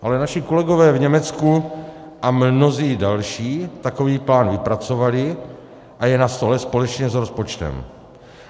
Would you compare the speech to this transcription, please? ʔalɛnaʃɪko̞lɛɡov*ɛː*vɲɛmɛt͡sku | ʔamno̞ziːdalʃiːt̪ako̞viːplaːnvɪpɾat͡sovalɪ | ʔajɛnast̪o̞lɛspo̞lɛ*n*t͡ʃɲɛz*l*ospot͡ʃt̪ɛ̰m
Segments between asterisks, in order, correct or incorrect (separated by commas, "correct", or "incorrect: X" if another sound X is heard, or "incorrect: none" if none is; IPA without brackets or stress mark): correct, incorrect: none, incorrect: ɾ